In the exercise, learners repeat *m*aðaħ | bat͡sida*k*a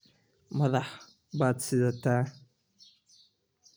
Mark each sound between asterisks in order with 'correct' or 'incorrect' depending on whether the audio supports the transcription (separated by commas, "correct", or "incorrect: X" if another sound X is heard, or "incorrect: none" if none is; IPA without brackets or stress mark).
correct, incorrect: t